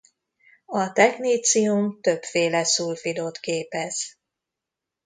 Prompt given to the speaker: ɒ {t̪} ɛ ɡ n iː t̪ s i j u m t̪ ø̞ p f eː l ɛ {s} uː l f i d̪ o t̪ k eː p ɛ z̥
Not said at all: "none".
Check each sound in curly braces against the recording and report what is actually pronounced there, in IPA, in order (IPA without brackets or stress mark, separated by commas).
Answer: t̪, s